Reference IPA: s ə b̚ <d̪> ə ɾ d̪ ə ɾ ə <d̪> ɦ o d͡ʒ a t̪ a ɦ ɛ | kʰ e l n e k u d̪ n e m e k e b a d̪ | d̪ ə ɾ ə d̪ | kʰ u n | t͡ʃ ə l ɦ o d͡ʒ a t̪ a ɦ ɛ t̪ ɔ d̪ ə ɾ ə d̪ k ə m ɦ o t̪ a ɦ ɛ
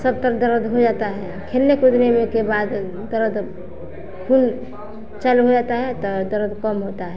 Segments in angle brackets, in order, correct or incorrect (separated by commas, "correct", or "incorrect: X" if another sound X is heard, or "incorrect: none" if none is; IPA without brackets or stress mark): incorrect: t̪, correct